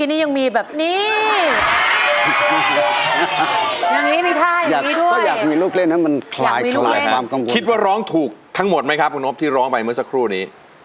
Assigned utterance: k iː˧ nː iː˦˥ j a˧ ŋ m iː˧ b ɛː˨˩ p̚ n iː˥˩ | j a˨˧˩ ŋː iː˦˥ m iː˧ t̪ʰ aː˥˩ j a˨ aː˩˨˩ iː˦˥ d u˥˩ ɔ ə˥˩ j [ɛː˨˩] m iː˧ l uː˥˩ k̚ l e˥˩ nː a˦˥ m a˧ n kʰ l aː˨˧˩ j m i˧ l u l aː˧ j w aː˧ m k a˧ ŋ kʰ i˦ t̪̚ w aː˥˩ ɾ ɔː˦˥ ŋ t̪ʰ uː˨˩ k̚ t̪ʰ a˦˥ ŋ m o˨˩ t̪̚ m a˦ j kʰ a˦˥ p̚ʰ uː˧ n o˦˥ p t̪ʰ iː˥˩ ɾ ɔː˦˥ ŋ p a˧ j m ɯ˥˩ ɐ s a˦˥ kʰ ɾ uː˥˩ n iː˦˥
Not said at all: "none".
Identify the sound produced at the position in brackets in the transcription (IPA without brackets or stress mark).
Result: aː˨˩